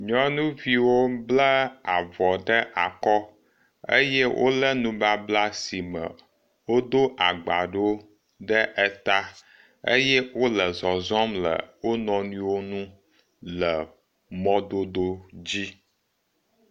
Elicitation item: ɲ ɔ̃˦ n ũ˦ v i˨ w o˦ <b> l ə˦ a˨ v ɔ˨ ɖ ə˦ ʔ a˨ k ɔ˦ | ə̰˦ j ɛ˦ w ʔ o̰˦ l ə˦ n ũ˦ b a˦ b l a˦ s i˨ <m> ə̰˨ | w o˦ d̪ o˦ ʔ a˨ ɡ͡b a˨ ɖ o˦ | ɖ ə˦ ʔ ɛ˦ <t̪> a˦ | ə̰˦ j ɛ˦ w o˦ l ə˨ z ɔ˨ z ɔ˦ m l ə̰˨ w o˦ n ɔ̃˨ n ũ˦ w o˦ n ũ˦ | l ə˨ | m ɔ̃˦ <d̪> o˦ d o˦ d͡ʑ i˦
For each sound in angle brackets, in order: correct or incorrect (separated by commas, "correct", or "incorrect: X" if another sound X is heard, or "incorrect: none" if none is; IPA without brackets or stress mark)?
correct, correct, correct, correct